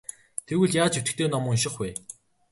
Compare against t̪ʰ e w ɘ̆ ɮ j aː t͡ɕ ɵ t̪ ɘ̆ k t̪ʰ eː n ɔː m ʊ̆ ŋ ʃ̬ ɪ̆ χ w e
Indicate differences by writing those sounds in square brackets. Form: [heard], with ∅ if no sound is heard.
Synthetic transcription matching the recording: t̪ʰ e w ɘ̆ ɮ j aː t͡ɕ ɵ t̪ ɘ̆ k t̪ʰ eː n [ɔ] m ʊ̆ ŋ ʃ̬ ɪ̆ χ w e